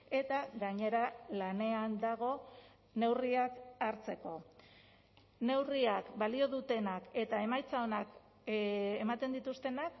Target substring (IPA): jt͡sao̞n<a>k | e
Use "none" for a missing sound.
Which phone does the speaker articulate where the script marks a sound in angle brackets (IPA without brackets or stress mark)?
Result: a